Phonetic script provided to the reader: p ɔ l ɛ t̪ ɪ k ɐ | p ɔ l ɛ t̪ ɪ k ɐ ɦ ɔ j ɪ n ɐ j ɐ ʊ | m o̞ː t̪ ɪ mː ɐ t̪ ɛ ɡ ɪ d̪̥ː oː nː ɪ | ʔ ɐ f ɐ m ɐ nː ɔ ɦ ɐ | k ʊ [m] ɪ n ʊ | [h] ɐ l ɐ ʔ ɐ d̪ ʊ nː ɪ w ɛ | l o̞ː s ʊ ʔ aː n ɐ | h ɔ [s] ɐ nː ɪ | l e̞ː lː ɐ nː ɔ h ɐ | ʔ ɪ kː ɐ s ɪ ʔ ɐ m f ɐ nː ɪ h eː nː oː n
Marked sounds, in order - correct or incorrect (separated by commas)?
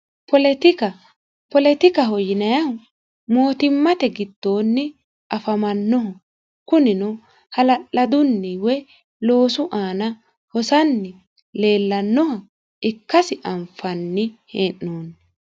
incorrect, correct, correct